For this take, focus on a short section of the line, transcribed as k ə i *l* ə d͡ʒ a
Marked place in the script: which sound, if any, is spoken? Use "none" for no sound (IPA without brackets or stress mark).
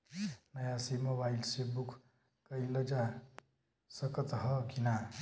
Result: l